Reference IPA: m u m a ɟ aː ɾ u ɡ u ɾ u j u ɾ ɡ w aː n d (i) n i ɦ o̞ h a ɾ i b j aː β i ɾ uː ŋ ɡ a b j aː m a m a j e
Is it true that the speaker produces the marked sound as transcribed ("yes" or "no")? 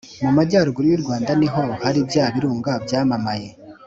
no